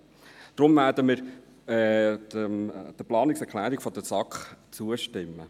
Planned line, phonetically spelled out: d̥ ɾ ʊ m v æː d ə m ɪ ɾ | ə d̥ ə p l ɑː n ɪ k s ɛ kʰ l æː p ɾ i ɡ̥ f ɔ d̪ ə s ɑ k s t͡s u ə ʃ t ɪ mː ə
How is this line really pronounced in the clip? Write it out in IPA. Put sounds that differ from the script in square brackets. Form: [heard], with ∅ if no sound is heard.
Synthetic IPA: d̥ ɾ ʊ m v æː d ə m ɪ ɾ | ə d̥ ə p l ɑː n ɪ k s ɛ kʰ l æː [∅] ɾ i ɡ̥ f ɔ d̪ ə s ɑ k [χ] t͡s u ə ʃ t ɪ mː ə